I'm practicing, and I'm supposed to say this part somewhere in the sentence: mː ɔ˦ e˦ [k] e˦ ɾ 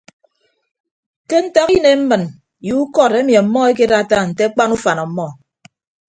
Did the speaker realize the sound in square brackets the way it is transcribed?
yes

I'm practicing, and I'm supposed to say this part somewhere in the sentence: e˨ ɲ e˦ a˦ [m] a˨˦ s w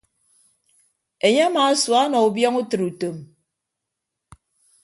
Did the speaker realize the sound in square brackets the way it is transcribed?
yes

